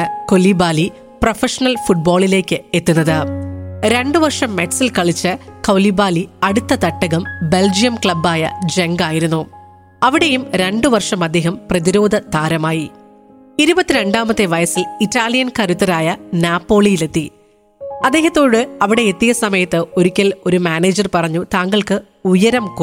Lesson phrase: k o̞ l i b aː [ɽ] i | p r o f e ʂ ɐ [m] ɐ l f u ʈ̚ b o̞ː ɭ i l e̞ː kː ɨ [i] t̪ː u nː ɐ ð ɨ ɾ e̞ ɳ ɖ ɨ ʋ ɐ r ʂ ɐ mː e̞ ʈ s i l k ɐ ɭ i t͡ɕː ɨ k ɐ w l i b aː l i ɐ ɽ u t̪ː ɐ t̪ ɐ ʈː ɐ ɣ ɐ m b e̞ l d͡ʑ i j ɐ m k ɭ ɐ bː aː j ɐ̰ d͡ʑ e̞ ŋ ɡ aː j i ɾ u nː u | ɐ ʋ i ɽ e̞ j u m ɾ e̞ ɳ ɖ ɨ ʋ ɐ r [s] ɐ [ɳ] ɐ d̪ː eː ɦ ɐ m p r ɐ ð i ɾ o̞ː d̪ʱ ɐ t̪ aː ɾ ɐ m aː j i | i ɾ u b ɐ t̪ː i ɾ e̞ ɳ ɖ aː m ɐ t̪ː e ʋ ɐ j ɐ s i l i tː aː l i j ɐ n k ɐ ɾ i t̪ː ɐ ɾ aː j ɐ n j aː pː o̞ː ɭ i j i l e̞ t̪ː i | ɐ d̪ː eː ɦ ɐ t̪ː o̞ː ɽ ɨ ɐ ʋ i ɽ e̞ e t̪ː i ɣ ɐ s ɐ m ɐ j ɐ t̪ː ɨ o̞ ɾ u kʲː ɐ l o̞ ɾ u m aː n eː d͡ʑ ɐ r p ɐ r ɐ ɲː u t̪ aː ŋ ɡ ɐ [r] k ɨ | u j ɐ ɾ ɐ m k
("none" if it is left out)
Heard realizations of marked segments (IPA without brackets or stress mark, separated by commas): l, n, e, ʂ, m, ɭ